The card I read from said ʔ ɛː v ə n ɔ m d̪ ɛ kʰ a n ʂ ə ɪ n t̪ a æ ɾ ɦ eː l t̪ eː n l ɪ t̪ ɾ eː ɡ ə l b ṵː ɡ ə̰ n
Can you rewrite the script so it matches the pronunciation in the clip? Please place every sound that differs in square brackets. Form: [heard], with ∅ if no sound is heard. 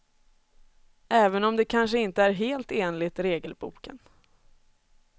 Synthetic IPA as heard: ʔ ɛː v ə n ɔ m d̪ ɛ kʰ a n ʂ ə ɪ n t̪ [ə] æ ɾ ɦ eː l t̪ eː n l ɪ t̪ ɾ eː ɡ ə l b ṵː [k] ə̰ n